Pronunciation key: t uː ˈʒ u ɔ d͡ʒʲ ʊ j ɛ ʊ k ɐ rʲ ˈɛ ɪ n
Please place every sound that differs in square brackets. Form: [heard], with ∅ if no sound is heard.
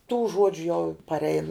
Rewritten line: t uː ˈʒ u ɔ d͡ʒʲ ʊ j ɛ ʊ [p] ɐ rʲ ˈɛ ɪ n